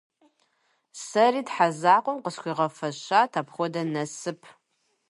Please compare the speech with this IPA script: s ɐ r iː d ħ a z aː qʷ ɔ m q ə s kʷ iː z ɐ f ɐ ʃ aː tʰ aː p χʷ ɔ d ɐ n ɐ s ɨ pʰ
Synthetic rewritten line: s ɐ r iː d ħ a z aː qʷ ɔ m q ə s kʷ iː ʁ ɐ f ɐ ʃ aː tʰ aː p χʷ ɔ d ɐ n ɐ s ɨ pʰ